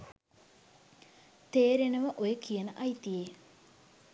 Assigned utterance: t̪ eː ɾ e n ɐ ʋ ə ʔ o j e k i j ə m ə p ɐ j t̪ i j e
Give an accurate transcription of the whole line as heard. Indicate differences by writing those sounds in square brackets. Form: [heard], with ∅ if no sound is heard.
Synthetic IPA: t̪ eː ɾ e n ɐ ʋ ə ʔ o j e k i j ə [n] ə [ʔ] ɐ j t̪ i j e